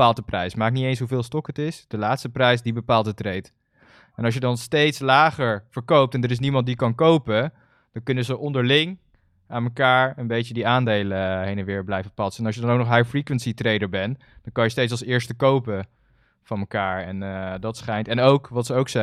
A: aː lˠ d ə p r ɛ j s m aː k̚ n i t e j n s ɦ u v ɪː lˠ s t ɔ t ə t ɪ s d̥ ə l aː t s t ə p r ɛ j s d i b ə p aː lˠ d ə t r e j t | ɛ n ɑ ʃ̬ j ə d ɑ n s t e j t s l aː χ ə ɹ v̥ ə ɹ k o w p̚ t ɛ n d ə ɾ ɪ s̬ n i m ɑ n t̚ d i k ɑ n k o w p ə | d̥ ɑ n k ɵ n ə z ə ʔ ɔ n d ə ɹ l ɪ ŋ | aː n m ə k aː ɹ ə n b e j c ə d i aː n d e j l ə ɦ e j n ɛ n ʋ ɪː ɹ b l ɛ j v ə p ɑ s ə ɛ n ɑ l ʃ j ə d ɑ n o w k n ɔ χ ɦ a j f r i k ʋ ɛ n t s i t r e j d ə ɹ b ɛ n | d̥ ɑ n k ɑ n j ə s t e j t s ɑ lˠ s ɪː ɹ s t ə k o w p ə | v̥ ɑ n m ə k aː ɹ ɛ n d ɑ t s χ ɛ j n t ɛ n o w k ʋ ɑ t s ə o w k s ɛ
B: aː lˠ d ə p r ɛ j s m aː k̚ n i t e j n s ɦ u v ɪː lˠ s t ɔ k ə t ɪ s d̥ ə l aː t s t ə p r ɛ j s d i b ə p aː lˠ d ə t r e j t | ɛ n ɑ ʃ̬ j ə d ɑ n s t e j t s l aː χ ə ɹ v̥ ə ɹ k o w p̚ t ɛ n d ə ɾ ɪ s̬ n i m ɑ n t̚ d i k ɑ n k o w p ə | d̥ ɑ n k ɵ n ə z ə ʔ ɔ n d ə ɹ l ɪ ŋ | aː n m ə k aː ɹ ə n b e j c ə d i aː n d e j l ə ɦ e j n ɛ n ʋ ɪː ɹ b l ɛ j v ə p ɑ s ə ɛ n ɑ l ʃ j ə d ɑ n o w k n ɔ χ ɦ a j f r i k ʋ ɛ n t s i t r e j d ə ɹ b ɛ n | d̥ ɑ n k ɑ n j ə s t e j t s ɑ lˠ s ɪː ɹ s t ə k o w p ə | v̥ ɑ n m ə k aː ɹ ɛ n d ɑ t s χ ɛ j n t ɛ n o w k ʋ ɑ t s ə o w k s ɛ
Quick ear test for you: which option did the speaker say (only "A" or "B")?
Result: B